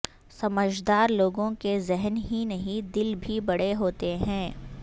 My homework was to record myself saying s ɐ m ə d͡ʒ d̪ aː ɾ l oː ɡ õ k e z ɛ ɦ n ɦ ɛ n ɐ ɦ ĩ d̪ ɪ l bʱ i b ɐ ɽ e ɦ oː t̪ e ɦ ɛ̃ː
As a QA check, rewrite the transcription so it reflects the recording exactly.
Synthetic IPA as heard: s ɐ m ə d͡ʒ d̪ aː ɾ l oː ɡ õ k e z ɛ ɦ n ɦ i n ɐ ɦ ĩ d̪ ɪ l bʱ i b ɐ ɽ e ɦ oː t̪ e ɦ ɛ̃ː